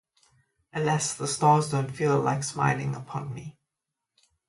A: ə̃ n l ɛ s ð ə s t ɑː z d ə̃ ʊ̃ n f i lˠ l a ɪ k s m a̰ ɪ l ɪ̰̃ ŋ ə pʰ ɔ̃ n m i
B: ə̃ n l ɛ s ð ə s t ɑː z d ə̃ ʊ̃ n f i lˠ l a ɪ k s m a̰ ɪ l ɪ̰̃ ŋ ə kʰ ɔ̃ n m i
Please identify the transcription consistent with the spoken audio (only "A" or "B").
A